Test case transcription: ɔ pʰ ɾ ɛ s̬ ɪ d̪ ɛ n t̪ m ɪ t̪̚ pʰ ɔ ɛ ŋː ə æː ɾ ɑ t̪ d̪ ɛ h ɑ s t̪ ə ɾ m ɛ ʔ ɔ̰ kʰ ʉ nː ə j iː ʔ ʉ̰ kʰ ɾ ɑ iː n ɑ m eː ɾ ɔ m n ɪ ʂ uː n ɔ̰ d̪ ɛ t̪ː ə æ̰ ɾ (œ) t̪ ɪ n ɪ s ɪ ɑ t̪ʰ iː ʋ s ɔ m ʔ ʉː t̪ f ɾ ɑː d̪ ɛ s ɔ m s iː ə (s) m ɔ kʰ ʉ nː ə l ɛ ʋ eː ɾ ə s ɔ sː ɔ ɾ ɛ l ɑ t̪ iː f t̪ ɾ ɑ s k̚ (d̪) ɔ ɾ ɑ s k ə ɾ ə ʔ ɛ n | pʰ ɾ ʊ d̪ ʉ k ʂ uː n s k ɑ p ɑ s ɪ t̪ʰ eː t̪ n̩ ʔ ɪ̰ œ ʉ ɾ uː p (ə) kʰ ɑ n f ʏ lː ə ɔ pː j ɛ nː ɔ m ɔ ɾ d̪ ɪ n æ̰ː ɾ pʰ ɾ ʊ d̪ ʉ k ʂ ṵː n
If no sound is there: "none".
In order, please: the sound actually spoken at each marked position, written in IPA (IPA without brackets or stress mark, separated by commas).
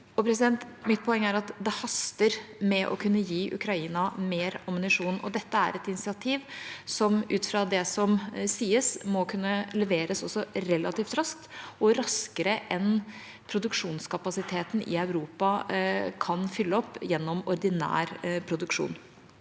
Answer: ɛ, s, t̪, ɑ